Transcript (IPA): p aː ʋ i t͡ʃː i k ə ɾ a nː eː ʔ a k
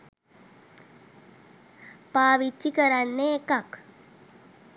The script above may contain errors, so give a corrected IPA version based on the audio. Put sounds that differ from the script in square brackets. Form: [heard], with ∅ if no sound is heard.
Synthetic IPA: p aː ʋ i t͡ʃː i k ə ɾ a nː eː [k] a k